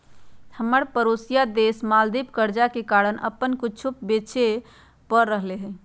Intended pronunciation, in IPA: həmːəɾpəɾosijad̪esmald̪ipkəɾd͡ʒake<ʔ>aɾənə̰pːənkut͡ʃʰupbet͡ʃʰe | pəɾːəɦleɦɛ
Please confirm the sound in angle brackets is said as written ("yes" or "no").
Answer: no